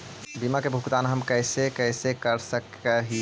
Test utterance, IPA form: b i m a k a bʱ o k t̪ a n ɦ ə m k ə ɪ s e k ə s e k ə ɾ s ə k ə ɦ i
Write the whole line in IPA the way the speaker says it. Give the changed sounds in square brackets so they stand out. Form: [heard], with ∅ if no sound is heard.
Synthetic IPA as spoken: b i m a k [e] bʱ [u] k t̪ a n ɦ ə m k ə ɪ s e k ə s e k ə ɾ s ə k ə ɦ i